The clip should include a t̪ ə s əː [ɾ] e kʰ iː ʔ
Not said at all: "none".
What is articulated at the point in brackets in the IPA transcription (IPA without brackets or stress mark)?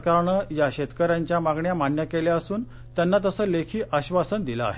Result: l